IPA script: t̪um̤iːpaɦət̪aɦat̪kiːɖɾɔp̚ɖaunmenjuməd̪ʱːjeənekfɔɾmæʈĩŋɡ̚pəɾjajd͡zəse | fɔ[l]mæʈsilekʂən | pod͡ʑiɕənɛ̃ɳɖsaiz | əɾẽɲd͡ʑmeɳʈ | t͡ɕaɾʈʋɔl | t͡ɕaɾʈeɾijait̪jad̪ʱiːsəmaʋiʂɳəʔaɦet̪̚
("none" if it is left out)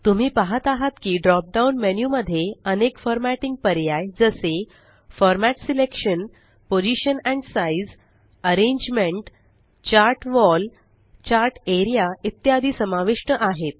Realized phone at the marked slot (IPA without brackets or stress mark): ɾ